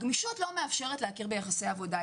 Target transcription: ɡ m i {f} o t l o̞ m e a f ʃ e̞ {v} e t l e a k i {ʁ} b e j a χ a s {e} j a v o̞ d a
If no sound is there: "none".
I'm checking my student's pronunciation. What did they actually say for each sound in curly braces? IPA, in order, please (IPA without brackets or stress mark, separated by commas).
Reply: ʃ, ʁ, ʁ, e